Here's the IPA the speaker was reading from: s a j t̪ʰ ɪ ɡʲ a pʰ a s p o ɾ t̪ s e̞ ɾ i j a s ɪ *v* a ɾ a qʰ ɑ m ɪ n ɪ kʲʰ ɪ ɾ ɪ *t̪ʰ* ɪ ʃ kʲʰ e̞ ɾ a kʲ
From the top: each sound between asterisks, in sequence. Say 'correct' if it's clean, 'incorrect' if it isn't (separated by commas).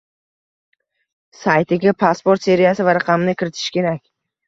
correct, correct